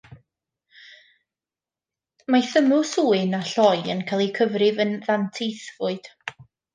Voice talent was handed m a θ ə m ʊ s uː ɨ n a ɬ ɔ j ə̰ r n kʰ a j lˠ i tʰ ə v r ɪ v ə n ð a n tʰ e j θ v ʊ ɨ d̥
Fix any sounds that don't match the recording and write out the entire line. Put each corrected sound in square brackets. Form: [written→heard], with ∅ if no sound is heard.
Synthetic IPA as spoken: m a θ ə m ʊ s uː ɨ n a ɬ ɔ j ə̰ [r→∅] n kʰ a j lˠ i [tʰ→kʰ] ə v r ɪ v ə n ð a n tʰ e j θ v ʊ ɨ d̥